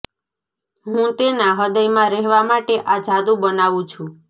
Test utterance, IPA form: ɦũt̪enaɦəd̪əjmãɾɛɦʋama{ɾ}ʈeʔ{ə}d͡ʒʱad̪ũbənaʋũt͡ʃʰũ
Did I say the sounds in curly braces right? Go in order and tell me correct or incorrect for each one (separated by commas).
incorrect, incorrect